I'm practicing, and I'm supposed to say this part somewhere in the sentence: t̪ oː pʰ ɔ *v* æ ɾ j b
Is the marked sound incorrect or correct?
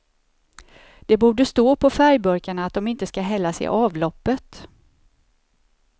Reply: incorrect: f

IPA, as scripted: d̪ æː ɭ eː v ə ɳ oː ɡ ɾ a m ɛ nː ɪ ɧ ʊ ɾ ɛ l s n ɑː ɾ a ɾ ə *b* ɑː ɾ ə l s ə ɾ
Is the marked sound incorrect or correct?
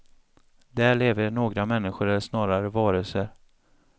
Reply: incorrect: v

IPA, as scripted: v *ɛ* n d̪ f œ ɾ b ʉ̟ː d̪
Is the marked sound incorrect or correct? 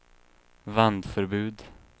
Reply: incorrect: a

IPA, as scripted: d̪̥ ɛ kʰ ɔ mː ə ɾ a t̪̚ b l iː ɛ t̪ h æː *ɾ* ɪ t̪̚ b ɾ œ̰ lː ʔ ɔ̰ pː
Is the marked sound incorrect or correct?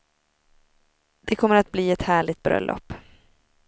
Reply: incorrect: ɭ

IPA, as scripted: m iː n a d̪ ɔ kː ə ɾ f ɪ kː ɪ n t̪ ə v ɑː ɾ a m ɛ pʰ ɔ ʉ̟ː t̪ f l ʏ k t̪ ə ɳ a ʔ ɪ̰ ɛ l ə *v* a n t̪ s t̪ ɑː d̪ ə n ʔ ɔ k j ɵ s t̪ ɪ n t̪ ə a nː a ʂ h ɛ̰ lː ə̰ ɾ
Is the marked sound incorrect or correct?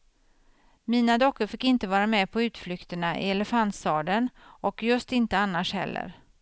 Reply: incorrect: f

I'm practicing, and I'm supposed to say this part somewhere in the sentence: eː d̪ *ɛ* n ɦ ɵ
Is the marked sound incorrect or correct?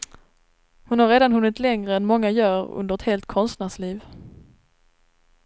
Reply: incorrect: a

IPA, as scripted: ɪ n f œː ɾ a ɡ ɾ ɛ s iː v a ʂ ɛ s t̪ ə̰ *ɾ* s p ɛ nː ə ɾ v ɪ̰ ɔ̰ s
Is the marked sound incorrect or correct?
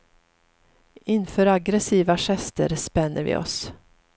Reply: correct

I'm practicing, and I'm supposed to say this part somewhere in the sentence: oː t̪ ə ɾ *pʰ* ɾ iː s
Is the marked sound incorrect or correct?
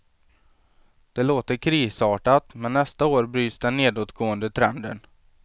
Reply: incorrect: kʰ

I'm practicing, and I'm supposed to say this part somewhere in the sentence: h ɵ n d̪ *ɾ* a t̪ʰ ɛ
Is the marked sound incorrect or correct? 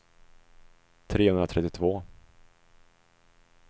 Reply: correct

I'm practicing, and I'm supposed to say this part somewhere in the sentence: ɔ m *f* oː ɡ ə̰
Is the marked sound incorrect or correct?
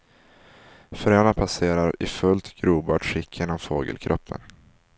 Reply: correct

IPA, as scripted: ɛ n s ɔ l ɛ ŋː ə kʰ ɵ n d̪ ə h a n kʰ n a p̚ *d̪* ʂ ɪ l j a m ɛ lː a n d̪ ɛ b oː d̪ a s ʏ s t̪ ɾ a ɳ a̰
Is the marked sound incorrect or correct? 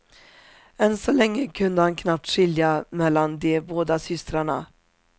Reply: incorrect: t̪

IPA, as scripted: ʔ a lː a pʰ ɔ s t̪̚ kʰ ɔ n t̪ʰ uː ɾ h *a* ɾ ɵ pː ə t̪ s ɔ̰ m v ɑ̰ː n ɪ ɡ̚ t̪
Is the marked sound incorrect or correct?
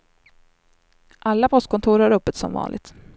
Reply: correct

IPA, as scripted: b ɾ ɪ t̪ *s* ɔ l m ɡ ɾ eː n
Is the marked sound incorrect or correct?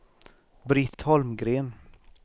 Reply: incorrect: h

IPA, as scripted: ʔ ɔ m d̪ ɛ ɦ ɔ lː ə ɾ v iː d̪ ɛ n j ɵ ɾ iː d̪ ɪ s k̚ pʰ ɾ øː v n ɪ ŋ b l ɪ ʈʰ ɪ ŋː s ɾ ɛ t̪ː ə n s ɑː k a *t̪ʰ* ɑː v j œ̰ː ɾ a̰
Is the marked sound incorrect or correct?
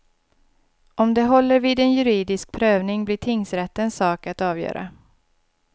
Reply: incorrect: t̪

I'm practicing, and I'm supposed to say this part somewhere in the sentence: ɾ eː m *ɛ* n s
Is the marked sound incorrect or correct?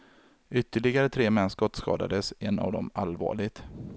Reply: correct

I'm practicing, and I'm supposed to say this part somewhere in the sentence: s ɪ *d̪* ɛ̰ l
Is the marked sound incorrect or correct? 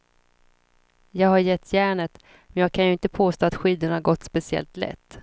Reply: incorrect: none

